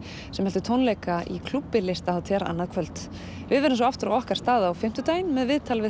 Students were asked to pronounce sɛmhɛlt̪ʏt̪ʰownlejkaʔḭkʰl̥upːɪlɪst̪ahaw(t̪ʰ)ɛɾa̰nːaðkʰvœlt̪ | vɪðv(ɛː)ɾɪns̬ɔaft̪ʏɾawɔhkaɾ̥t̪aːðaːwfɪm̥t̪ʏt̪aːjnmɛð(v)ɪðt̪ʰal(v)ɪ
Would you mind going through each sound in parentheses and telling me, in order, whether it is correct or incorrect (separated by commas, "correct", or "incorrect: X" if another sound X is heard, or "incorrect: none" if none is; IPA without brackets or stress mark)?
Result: correct, incorrect: ɛ, correct, correct